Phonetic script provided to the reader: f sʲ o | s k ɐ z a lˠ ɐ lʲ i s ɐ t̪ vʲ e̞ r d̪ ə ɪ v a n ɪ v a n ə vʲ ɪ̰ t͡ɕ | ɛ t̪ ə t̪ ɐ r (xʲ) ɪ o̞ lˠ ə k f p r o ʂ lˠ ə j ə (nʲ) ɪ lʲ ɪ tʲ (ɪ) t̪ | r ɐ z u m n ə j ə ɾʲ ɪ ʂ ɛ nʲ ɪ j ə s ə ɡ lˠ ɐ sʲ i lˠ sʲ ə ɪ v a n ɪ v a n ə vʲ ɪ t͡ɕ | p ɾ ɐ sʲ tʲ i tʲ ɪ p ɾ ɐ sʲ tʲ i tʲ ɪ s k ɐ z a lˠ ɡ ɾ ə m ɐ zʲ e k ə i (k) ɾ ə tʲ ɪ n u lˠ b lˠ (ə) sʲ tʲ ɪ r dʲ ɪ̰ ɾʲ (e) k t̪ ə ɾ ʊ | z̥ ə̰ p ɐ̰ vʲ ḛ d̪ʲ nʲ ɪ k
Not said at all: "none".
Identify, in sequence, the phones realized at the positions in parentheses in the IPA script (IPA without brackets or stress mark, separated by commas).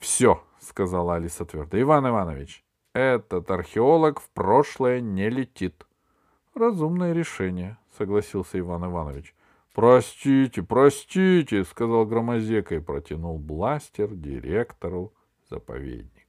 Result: xʲ, nʲ, i, p, a, e